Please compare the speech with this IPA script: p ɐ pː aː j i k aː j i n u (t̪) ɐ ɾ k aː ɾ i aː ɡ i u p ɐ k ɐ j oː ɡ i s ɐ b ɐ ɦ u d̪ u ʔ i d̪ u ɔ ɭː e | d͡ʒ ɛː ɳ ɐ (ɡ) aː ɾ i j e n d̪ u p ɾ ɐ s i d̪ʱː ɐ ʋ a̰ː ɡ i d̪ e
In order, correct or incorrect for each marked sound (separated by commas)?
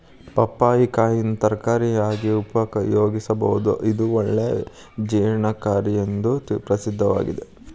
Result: correct, incorrect